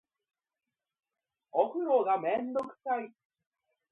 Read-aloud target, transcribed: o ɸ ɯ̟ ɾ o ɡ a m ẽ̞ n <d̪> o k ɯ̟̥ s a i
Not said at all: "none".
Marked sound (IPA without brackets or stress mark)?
d̪